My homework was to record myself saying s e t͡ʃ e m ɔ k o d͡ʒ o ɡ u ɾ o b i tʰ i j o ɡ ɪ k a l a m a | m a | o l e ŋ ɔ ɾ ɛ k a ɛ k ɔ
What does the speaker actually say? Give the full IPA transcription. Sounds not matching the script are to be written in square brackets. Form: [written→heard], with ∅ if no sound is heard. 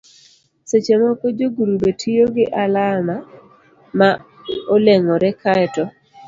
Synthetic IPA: s e t͡ʃ e m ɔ k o d͡ʒ o ɡ u ɾ [o→u] b [i→e] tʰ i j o ɡ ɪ [k→ʔ] a l a m a | m a | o l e ŋ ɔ ɾ ɛ k a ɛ [k→t] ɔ